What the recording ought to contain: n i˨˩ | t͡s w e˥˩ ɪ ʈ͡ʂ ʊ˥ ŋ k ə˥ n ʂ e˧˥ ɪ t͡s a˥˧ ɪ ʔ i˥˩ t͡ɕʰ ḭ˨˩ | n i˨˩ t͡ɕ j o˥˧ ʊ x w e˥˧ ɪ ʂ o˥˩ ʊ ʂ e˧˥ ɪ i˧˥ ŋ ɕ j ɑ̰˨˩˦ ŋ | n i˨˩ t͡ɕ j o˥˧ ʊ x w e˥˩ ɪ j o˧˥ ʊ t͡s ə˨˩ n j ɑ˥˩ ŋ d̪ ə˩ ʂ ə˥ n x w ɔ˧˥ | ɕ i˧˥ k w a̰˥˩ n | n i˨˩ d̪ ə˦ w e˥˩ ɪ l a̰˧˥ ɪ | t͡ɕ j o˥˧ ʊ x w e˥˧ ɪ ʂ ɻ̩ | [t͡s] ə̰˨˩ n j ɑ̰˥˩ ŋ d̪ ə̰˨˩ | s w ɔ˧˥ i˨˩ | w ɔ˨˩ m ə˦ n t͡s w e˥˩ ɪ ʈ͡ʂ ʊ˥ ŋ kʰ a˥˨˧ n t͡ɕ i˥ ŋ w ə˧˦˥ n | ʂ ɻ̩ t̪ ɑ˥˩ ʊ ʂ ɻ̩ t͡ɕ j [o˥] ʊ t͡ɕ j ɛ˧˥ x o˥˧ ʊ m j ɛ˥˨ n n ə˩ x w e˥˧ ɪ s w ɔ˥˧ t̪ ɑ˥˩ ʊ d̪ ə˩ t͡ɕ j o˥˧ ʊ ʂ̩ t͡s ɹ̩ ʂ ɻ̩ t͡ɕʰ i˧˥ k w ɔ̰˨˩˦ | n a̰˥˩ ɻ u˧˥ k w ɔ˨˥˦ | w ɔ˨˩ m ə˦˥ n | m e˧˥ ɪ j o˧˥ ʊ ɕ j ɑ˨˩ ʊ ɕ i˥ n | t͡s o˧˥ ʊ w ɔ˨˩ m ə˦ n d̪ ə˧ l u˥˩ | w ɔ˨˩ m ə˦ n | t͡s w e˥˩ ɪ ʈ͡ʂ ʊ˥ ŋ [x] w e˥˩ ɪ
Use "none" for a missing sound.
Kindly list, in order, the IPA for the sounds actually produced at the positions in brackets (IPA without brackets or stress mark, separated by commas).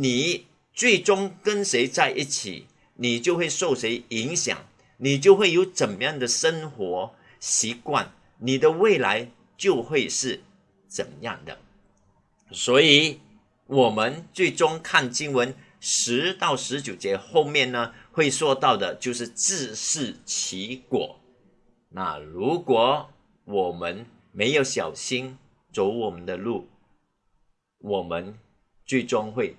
t͡s, o˨˩, x